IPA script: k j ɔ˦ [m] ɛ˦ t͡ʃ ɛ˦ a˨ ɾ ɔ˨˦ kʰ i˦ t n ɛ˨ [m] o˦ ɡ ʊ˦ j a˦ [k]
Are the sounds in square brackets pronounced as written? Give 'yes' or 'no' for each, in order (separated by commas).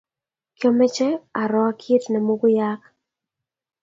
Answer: yes, yes, yes